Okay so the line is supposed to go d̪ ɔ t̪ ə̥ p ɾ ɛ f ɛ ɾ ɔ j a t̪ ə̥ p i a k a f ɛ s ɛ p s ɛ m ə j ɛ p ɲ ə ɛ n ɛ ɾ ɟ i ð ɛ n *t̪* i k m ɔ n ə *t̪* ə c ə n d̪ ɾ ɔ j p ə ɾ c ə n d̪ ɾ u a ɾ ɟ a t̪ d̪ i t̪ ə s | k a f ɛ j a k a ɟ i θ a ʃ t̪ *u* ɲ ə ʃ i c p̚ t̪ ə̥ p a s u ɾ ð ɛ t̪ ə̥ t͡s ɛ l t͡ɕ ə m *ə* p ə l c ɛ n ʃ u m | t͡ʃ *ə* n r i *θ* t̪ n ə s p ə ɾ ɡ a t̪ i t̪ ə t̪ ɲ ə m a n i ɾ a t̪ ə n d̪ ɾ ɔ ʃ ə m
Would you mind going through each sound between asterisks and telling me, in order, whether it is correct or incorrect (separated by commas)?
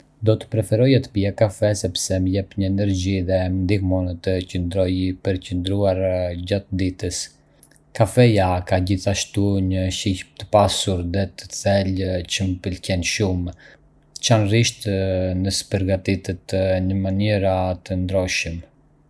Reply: incorrect, correct, correct, correct, incorrect, incorrect